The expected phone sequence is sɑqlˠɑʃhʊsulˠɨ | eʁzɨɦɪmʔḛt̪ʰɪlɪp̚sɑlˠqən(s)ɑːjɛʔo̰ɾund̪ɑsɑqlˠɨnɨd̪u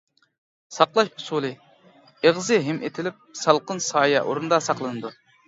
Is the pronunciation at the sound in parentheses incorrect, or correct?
correct